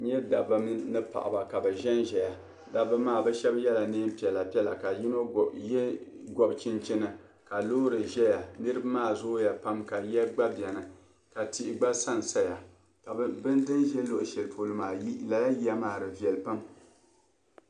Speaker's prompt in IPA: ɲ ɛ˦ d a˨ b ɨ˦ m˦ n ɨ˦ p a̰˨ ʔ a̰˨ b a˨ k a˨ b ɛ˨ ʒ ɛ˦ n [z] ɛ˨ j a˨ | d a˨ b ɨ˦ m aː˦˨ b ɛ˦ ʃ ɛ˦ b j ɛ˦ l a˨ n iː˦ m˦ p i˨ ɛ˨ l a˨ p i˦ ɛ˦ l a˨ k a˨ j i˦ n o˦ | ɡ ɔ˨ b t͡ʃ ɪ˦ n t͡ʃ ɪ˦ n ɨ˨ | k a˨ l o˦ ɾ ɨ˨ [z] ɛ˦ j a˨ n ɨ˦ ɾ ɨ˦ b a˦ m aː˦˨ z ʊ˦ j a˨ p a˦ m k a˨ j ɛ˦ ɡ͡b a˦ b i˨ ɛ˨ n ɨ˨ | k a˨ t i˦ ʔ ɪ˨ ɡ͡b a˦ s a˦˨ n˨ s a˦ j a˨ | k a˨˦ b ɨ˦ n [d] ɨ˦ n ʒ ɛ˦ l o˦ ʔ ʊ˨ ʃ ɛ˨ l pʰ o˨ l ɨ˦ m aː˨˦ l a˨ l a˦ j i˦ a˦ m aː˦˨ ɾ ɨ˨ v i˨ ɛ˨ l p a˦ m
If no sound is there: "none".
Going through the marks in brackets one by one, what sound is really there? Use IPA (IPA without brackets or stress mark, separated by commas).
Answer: ʒ, ʒ, d